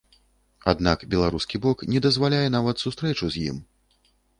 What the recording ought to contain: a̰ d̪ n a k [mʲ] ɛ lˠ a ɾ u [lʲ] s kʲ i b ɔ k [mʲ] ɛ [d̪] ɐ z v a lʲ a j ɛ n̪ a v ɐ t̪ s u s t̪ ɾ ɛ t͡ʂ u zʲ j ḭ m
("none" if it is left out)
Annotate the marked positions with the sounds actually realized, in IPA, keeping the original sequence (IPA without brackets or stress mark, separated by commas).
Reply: bʲ, none, nʲ, d̪